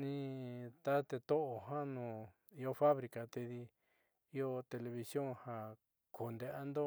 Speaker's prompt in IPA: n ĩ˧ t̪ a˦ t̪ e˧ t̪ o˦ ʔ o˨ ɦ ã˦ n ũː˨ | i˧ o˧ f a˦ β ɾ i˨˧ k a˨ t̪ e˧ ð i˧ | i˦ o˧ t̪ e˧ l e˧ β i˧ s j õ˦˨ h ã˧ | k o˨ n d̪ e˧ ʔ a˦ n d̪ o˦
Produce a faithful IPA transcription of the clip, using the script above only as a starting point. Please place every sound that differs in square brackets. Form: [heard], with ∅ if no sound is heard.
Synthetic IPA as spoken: n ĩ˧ t̪ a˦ t̪ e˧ t̪ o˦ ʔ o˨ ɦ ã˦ n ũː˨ | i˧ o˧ f a˦ β ɾ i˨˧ k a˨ t̪ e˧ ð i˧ | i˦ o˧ t̪ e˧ l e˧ β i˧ s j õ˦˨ h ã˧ | k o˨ n d̪ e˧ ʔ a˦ n d̪ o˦